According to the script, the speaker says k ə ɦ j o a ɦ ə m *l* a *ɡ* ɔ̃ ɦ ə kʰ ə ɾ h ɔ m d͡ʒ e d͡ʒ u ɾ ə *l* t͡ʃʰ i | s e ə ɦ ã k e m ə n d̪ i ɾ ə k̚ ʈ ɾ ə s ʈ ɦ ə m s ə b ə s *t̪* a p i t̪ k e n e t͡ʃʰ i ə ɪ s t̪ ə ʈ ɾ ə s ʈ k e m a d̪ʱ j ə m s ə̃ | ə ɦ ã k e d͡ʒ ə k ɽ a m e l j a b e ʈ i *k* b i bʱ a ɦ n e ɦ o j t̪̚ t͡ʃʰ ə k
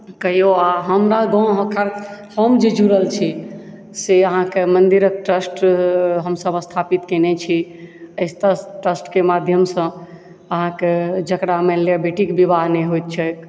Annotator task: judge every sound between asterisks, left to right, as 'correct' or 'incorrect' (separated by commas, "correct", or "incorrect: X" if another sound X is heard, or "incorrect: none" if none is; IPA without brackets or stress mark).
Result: incorrect: ɾ, correct, correct, incorrect: t̪ʰ, correct